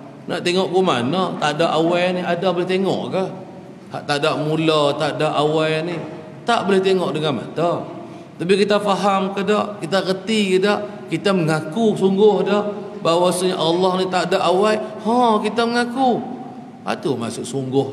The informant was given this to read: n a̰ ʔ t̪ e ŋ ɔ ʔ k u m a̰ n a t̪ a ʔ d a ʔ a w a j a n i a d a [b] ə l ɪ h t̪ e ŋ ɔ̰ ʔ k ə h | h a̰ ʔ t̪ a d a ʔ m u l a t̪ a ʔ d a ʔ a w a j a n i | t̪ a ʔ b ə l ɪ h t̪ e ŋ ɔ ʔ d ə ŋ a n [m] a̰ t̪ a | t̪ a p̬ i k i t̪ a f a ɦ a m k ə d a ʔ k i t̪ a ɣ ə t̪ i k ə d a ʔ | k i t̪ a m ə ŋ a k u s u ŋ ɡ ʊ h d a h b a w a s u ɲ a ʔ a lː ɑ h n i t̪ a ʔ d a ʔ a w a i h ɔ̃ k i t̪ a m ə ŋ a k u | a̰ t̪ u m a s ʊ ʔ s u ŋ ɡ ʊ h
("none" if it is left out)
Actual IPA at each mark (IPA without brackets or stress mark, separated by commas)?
b, m